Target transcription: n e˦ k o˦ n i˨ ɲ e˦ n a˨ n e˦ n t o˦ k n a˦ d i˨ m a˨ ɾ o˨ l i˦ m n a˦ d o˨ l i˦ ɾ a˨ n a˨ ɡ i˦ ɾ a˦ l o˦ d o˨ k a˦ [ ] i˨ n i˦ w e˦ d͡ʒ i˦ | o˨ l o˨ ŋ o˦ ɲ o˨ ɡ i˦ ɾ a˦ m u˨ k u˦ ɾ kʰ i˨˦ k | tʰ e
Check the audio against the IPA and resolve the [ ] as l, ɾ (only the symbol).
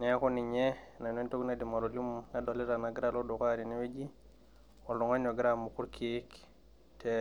ɾ